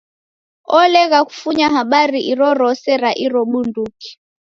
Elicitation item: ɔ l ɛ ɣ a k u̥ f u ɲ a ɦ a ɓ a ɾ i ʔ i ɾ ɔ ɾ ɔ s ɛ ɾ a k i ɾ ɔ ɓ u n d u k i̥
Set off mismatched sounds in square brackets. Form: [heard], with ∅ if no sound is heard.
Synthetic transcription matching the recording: ɔ l ɛ ɣ a k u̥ f u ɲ a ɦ a ɓ a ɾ i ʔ i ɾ ɔ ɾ ɔ s ɛ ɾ a [ʔ] i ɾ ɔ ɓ u n d u k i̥

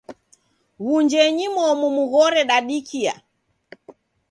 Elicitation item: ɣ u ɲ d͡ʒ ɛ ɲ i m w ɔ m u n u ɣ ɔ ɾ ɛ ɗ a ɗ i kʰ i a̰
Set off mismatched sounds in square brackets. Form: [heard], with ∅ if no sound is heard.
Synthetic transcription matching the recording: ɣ u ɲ d͡ʒ ɛ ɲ i m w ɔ m u [m] u ɣ ɔ ɾ ɛ ɗ a ɗ i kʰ i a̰

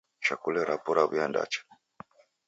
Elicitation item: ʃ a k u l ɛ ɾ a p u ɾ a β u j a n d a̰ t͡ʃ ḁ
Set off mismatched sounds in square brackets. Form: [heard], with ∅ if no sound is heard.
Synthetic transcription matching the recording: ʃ a k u l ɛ ɾ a p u ɾ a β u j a n d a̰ t͡ʃ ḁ

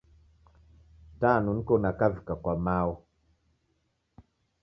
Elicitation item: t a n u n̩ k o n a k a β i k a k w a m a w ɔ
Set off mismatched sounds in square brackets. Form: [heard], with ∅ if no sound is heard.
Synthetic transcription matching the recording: t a n u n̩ k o n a k a [v] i k a k w a m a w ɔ

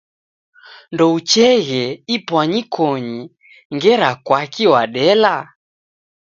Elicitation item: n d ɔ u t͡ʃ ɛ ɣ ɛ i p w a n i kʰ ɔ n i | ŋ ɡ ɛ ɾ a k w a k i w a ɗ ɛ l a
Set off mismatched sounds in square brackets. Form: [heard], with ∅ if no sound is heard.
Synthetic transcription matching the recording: n d ɔ u t͡ʃ ɛ ɣ ɛ i p w a [ɲ] i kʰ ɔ [ɲ] i | ŋ ɡ ɛ ɾ a k w a k i w a ɗ ɛ l a

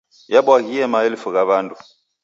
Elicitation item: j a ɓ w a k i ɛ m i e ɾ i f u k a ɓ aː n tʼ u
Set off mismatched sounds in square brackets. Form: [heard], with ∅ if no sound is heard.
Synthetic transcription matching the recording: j a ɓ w a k i ɛ m [a] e [l] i f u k a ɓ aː n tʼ u

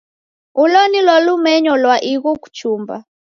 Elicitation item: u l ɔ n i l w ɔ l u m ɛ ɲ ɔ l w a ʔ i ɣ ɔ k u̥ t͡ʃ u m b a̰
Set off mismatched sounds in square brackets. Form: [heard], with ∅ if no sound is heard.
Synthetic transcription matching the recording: u l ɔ n i l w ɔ l u m ɛ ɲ ɔ l w a ʔ i ɣ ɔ k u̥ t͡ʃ u m b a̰

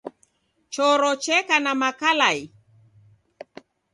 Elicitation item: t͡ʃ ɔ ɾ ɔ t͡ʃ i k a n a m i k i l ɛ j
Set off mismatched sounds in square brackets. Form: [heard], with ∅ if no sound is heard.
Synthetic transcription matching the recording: t͡ʃ ɔ ɾ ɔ t͡ʃ [ɛ] k a n a m [a] k [a] l [a] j

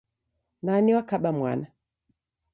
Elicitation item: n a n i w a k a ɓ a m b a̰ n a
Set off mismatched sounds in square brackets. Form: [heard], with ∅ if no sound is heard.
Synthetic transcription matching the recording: n a n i w a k a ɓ a m [w] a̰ n a

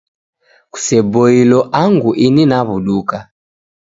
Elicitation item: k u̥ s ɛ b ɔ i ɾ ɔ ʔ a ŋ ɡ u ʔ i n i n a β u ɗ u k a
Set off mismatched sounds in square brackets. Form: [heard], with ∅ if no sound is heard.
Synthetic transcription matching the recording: k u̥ s ɛ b ɔ i [l] ɔ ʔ a ŋ ɡ u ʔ i n i n a β u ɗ u k a

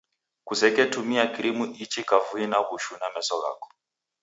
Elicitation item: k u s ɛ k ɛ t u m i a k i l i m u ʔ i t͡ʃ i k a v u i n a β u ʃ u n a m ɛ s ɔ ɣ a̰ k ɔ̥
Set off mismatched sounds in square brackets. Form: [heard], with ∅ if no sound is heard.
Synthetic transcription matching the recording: k u s ɛ k ɛ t u m i a k i [ɾ] i m u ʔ i t͡ʃ i k a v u i n a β u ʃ u n a m ɛ s ɔ ɣ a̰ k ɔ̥

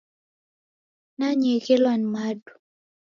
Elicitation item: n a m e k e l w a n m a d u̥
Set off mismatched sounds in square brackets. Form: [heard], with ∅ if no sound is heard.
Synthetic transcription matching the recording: n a [ɲ] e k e l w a n m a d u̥

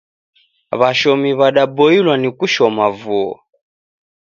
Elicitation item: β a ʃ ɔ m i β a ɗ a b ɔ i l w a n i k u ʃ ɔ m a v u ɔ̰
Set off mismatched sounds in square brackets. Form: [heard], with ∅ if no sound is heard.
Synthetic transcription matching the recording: β a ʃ ɔ m i β a ɗ a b ɔ i l w a n i k u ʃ ɔ m a v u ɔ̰

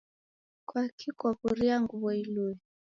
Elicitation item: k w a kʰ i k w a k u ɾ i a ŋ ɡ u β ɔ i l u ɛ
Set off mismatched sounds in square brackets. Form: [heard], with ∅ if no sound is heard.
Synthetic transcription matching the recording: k w a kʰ i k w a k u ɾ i a ŋ ɡ u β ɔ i l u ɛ

